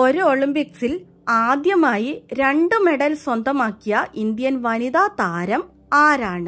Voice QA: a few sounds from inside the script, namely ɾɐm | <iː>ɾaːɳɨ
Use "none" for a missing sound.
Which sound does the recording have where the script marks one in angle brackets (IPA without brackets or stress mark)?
aː